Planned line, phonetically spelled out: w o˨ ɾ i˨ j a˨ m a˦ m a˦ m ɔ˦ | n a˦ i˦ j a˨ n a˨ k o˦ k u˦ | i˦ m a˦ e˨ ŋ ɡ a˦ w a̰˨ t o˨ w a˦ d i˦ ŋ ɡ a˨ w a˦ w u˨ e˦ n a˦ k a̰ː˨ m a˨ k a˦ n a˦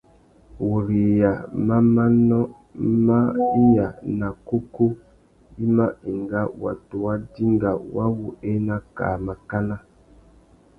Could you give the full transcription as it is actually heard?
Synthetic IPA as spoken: w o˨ ɾ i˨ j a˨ m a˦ m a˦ n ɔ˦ | m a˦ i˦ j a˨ n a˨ k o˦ k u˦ | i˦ m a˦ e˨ ŋ ɡ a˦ w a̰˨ t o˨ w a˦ d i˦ ŋ ɡ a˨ w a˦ w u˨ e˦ n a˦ k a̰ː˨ m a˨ k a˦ n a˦